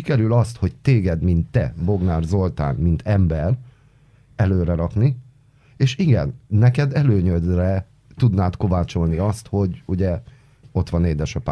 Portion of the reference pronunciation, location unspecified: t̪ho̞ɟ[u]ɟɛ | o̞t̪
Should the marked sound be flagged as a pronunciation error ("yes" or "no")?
no